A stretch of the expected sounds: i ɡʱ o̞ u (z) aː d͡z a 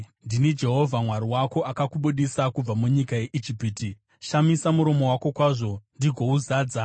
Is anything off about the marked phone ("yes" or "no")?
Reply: no